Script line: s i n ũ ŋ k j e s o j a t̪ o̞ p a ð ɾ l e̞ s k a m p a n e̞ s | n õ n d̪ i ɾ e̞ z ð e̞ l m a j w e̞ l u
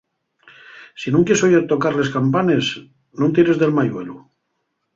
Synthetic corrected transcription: s i n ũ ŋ k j e s o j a t̪ o̞ k a ɾ l e̞ s k a m p a n e̞ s | n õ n t̪ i ɾ e̞ z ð e̞ l m a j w e̞ l u